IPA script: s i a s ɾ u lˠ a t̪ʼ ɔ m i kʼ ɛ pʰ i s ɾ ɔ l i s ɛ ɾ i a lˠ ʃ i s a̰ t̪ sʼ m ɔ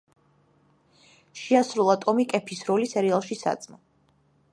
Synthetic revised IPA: ʃ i a s ɾ u lˠ a t̪ʼ ɔ m i kʼ ɛ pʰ i s ɾ ɔ l i s ɛ ɾ i a lˠ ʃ i s a̰ t̪ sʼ m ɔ